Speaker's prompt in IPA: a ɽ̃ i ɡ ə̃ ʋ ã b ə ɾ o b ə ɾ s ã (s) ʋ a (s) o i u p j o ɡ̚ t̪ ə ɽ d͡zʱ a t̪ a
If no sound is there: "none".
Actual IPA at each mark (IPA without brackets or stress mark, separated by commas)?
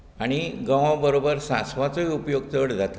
s, t͡s